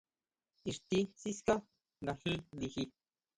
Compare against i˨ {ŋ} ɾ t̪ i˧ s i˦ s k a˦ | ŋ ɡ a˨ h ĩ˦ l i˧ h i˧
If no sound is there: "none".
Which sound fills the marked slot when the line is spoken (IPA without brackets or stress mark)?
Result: none